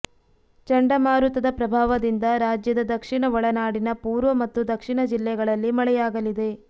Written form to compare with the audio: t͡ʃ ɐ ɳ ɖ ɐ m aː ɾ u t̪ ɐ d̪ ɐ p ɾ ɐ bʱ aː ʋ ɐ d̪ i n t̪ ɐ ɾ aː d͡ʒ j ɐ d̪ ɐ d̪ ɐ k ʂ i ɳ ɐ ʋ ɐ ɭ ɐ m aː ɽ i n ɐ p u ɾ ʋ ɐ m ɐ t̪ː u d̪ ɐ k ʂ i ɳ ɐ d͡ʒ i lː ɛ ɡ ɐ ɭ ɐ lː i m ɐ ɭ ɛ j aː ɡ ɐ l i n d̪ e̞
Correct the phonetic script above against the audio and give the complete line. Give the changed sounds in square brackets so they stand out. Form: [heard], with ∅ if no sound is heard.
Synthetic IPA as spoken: t͡ʃ ɐ ɳ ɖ ɐ m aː ɾ u t̪ ɐ d̪ ɐ p ɾ ɐ bʱ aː ʋ ɐ d̪ i n [d̪] ɐ ɾ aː d͡ʒ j ɐ d̪ ɐ d̪ ɐ k ʂ i ɳ ɐ ʋ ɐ ɭ ɐ [n] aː ɽ i n ɐ p [uː] ɾ ʋ ɐ m ɐ t̪ː u d̪ ɐ k ʂ i ɳ ɐ d͡ʒ i lː ɛ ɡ ɐ ɭ ɐ lː i m ɐ ɭ ɛ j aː ɡ ɐ l i [∅] d̪ e̞